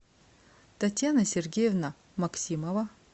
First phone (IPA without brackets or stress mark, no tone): t̪